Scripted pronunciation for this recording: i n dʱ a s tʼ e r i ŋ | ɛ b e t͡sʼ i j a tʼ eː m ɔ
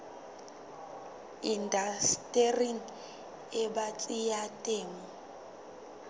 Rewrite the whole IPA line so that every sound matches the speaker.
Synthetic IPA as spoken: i n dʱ a s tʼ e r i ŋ | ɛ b a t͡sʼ i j a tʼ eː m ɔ